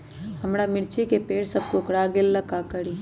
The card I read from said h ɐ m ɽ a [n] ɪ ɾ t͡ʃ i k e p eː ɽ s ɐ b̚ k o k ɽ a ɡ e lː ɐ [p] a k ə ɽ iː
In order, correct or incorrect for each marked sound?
incorrect: m, incorrect: k

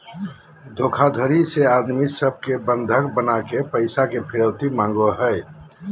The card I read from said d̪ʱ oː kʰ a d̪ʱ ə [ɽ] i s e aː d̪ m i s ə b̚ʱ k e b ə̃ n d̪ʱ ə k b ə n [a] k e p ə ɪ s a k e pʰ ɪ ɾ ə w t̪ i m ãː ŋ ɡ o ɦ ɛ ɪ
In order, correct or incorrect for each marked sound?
incorrect: ɾ, correct

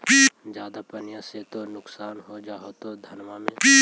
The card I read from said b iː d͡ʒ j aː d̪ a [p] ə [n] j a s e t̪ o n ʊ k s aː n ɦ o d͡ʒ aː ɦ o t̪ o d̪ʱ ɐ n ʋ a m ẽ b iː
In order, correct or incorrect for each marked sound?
correct, correct

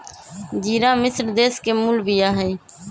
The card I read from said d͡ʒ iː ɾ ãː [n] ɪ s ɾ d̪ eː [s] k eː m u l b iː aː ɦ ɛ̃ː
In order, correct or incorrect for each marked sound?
incorrect: m, correct

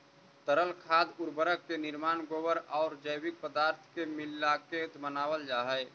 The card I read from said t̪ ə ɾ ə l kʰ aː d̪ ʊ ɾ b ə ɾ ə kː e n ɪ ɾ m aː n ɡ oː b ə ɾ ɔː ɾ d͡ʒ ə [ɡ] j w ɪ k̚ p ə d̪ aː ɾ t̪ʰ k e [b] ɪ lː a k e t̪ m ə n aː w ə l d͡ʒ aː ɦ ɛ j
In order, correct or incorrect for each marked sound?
incorrect: none, incorrect: m

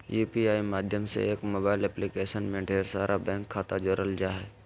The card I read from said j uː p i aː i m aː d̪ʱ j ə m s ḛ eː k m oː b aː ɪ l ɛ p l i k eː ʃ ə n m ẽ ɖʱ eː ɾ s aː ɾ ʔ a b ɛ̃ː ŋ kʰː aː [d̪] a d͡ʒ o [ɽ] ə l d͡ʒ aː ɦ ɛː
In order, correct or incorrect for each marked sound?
incorrect: t̪, incorrect: ɾ

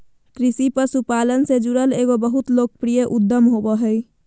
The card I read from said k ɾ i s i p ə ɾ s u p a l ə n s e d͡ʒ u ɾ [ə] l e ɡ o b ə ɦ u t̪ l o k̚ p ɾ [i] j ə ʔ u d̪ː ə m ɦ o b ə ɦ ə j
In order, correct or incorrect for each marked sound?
correct, correct

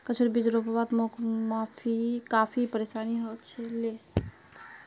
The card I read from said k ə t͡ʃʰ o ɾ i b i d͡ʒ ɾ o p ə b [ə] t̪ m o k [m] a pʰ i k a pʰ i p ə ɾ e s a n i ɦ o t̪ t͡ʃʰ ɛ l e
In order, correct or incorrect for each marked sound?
incorrect: a, correct

